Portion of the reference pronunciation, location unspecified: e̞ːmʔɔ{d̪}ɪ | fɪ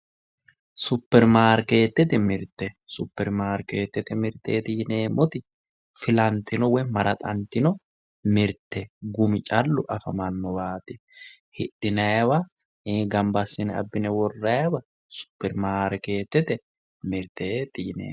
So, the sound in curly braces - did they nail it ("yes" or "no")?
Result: no